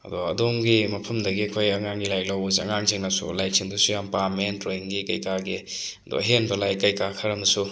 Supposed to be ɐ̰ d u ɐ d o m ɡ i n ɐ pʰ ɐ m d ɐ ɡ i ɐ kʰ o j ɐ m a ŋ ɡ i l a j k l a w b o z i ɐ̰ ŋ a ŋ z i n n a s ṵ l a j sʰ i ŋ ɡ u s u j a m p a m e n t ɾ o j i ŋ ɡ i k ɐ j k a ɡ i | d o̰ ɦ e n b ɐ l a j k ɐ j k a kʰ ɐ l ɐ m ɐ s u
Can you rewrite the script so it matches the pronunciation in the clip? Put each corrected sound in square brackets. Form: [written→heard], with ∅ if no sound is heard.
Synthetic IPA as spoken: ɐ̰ d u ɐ d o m ɡ i [n→m] ɐ pʰ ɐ m d ɐ ɡ i ɐ kʰ o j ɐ [m→ŋ] a ŋ ɡ i l a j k l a w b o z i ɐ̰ ŋ a ŋ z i [n→ŋ] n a s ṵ l a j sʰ i ŋ [ɡ→d] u s u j a m p a m e n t ɾ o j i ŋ ɡ i k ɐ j k a ɡ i | d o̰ ɦ e n b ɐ l a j k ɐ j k a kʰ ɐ [l→ɾ] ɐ m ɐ s u

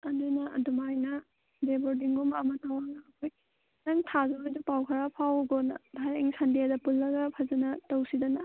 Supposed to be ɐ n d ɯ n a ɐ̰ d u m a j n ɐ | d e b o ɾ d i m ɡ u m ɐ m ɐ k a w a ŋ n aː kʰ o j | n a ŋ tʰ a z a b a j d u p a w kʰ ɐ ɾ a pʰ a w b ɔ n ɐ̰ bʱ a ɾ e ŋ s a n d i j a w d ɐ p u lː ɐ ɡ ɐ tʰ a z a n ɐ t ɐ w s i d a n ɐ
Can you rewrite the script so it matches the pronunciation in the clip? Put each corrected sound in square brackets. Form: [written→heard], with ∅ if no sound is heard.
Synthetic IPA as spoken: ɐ n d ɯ n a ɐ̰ d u m a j n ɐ | d e b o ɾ d i [m→ŋ] ɡ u m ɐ m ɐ [k→t] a w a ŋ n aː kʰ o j | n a ŋ tʰ a z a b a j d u p a w kʰ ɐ ɾ a pʰ a w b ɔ n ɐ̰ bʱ a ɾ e ŋ s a n d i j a [w→∅] d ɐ p u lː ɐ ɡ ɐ [tʰ→pʰ] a z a n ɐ t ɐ w s i d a n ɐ

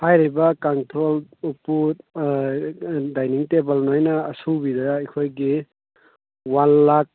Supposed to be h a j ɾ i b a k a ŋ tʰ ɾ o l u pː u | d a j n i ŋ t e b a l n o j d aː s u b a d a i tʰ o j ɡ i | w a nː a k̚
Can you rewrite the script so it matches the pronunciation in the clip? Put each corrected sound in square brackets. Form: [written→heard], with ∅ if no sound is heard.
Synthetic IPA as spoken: h a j ɾ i b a k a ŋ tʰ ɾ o l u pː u | d a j n i ŋ t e b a l n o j [d→n] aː s u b [a→i] d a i [tʰ→kʰ] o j ɡ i | w a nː a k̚

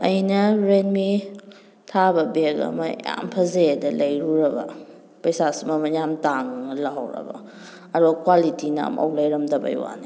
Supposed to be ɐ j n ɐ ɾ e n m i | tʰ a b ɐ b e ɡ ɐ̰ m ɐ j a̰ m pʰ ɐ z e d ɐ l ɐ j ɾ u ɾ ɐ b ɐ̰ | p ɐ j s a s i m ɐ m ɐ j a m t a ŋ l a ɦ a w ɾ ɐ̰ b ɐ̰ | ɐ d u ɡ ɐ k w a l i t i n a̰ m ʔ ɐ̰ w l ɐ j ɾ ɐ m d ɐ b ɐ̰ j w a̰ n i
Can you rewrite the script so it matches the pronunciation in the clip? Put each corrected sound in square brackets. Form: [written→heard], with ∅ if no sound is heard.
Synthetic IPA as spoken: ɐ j n ɐ ɾ e n m i | tʰ a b ɐ b e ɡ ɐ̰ m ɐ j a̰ m pʰ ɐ z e d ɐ l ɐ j ɾ u ɾ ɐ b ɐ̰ | p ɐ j s a s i m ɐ m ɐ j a m t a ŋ l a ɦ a w ɾ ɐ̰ b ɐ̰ | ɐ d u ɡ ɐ k w a l i t i n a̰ m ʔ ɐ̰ w l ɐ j ɾ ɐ m d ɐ b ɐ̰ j w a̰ n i

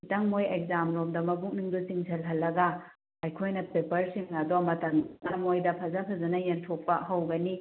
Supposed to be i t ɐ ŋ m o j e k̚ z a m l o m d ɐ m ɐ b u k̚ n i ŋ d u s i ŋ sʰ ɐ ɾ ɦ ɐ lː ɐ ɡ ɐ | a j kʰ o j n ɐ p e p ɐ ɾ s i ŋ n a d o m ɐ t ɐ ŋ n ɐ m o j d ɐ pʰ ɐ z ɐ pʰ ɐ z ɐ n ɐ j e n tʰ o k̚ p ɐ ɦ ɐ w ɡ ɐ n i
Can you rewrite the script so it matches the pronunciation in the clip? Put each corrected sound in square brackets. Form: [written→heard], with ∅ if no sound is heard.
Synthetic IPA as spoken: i t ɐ ŋ m o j e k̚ z a m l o m d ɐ m ɐ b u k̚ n i ŋ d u s i ŋ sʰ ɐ [ɾ→l] ɦ ɐ lː ɐ ɡ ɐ | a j kʰ o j n ɐ p e p ɐ ɾ s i ŋ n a d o m ɐ t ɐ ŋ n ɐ m o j d ɐ pʰ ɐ z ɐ pʰ ɐ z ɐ n ɐ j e n tʰ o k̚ p ɐ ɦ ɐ w ɡ ɐ n i

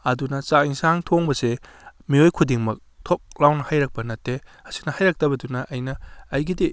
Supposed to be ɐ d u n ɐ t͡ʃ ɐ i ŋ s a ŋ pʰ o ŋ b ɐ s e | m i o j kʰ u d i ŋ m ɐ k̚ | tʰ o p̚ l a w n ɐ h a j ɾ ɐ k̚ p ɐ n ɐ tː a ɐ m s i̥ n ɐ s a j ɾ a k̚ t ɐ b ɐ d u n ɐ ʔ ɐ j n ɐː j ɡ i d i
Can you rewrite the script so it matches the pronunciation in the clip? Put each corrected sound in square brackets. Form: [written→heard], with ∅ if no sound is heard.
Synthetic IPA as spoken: ɐ d u n ɐ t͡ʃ [ɐ→a] i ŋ s a ŋ [pʰ→tʰ] o ŋ b ɐ s e | m i o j kʰ u d i ŋ m ɐ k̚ | tʰ o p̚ l a w n ɐ h a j ɾ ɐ k̚ p ɐ n ɐ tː [a→e] ɐ [m→∅] s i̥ n ɐ [s→h] a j ɾ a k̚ t ɐ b ɐ d u n ɐ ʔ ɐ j n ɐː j ɡ i d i

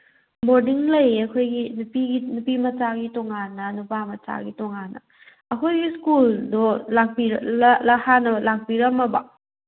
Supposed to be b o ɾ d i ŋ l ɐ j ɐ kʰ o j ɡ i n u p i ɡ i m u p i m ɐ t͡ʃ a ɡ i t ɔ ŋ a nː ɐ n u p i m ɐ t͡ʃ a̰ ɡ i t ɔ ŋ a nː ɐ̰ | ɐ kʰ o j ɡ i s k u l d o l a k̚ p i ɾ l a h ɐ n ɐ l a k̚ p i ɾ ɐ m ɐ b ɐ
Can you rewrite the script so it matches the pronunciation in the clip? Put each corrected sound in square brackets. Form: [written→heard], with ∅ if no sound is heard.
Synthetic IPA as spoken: b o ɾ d i ŋ l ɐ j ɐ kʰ o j ɡ i n u p i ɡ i [m→n] u p i m ɐ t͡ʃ a ɡ i t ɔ ŋ a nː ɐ n u p [i→a] m ɐ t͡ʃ a̰ ɡ i t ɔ ŋ a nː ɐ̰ | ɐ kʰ o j ɡ i s k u l d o l a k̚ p i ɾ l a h [ɐ→a] n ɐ l a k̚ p i ɾ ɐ m ɐ b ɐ

